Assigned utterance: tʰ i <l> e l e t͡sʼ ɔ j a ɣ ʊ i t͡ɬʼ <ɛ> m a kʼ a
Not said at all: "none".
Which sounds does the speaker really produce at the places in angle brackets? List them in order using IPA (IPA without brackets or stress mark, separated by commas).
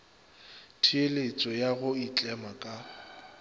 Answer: none, ɛ